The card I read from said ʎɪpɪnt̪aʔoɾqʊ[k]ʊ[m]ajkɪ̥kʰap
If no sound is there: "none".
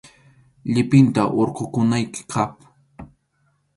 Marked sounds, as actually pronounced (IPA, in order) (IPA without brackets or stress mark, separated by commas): k, n